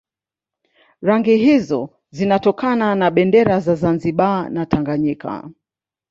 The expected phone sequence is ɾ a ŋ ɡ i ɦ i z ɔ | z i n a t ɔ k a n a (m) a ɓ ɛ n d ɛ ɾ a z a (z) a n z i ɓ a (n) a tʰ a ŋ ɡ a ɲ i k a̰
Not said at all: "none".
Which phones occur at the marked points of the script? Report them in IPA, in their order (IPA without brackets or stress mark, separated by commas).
n, z, n